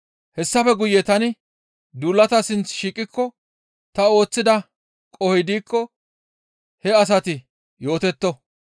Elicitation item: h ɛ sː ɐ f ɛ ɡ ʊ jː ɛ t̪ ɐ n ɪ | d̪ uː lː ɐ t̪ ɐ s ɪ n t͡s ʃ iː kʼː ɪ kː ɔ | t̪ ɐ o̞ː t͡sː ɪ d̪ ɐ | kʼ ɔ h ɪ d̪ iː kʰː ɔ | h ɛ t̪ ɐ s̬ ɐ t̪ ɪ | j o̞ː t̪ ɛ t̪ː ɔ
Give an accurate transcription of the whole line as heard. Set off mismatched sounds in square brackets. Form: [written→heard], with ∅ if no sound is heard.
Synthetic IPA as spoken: h ɛ sː ɐ f ɛ ɡ ʊ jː ɛ t̪ ɐ n ɪ | d̪ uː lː ɐ t̪ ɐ s ɪ n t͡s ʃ iː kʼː ɪ kː ɔ | t̪ ɐ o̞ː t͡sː ɪ d̪ ɐ | kʼ ɔ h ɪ d̪ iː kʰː ɔ | h ɛ [t̪→∅] ɐ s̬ ɐ t̪ ɪ | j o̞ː t̪ ɛ t̪ː ɔ